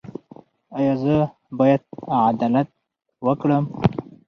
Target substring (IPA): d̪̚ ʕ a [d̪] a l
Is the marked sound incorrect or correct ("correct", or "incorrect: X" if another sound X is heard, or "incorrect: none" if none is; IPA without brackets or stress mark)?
correct